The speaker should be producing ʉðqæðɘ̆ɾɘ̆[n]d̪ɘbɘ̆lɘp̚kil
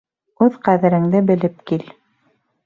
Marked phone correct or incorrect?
incorrect